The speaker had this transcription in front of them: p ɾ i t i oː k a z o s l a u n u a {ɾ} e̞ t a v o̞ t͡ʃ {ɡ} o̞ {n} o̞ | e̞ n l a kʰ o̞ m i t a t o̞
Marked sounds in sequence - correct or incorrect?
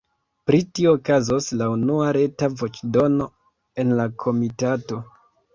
correct, incorrect: d, correct

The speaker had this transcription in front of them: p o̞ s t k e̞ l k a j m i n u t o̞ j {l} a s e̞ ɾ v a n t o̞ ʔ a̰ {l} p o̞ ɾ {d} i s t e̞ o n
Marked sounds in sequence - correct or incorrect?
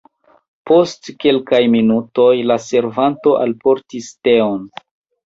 correct, correct, incorrect: t

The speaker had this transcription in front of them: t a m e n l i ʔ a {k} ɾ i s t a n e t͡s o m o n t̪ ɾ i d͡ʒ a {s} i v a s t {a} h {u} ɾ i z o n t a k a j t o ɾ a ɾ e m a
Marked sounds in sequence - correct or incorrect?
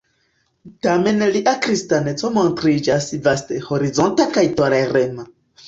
correct, correct, incorrect: e, incorrect: o

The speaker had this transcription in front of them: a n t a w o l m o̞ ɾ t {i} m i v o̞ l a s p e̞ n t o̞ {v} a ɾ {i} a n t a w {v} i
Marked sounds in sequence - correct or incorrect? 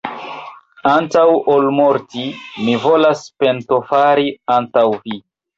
correct, incorrect: f, correct, correct

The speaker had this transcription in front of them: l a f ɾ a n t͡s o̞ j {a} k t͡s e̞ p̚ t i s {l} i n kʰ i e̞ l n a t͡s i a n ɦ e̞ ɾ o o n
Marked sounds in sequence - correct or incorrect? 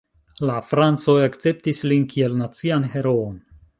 correct, correct

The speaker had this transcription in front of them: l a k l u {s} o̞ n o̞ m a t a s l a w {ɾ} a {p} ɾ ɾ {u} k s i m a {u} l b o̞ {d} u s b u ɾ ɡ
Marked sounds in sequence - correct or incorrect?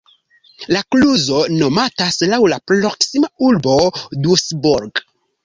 incorrect: z, incorrect: l, correct, incorrect: o, correct, correct

